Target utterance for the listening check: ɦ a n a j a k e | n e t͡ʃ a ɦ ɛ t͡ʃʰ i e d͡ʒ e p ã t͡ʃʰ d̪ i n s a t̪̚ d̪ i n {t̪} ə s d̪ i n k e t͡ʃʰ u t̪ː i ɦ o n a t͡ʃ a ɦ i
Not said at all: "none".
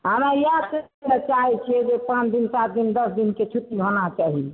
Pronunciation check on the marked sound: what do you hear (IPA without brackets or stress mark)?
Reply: d̪